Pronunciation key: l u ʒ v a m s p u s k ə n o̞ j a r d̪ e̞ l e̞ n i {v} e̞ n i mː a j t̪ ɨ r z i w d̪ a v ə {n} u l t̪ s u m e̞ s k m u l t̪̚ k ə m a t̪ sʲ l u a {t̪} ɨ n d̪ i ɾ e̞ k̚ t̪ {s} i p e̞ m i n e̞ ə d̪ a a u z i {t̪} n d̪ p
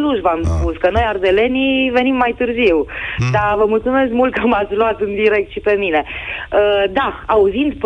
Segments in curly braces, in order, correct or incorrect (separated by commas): correct, incorrect, correct, incorrect, incorrect